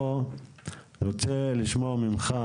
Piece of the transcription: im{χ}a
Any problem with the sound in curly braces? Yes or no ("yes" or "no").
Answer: no